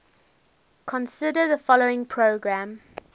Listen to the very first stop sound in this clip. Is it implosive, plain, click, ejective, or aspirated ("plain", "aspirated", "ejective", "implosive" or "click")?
aspirated